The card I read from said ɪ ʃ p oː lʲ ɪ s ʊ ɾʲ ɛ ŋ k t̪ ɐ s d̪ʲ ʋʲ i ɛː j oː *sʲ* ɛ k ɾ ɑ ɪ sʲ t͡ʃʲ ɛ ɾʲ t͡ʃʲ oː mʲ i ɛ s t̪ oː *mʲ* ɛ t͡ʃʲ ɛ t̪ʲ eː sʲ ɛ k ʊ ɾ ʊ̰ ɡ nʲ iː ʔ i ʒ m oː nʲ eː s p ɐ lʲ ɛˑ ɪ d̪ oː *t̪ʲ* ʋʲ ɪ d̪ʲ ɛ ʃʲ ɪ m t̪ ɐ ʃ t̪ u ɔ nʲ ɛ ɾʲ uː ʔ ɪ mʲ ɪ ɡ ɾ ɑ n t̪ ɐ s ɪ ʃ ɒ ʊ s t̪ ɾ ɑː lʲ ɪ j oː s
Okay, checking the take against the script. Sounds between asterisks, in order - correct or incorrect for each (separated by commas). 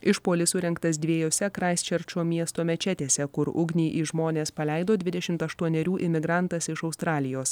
correct, correct, incorrect